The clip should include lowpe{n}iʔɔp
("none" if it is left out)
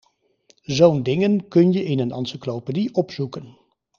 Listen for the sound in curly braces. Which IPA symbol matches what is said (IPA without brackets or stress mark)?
d